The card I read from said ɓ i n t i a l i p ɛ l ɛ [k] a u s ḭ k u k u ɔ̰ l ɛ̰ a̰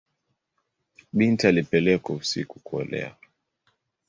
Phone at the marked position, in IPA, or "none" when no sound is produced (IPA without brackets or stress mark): k